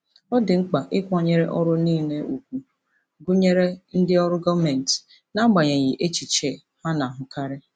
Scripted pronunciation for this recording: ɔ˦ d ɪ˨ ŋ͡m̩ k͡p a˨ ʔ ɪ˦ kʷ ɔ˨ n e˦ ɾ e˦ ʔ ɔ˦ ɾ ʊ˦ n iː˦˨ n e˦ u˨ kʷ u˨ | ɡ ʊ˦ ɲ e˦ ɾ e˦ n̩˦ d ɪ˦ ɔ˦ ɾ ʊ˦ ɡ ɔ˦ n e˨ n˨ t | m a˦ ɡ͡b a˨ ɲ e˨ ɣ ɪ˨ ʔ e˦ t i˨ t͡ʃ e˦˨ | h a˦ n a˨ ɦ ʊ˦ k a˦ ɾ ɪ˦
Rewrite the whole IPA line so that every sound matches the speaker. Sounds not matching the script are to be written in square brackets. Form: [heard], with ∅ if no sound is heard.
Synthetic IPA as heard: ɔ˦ d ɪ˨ ŋ͡m̩ k͡p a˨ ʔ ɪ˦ kʷ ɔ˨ [ɲ] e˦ ɾ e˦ ʔ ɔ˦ ɾ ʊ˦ n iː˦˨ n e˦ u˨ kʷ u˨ | ɡ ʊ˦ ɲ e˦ ɾ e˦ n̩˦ d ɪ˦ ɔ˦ ɾ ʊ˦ ɡ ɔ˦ [m] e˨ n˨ t | [n] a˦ ɡ͡b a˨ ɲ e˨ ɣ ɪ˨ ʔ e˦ [t͡ʃ] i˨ t͡ʃ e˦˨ | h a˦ n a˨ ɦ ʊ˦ k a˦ ɾ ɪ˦